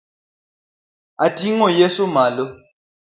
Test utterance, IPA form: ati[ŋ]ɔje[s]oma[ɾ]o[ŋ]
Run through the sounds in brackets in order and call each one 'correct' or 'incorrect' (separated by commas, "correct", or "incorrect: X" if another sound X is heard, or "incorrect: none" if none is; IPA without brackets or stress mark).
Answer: correct, correct, incorrect: l, incorrect: none